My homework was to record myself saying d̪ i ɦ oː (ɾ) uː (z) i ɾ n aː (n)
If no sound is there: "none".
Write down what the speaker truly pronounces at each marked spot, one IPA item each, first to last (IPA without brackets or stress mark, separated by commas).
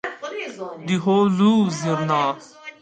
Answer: l, z, none